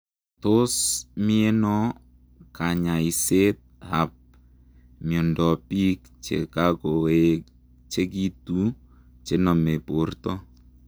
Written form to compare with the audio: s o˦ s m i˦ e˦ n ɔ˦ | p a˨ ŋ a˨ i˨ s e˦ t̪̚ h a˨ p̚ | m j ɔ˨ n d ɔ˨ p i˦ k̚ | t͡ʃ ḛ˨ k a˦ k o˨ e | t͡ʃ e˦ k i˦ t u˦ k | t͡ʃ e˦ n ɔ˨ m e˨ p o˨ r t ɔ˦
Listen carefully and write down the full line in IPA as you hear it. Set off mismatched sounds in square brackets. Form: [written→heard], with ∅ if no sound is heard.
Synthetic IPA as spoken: [s→t] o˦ s m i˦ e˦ n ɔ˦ | [p→k] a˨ [ŋ→ɲ] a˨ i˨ s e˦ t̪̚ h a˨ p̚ | m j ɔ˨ n d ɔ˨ p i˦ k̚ | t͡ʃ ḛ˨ k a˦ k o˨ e | t͡ʃ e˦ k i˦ t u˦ [k→∅] | t͡ʃ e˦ n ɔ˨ m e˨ p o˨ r t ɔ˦